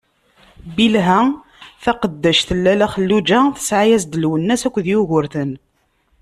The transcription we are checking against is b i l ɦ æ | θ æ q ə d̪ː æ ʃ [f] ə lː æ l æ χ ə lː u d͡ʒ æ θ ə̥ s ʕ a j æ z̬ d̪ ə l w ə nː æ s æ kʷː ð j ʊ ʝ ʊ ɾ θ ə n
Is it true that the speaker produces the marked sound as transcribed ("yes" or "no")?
no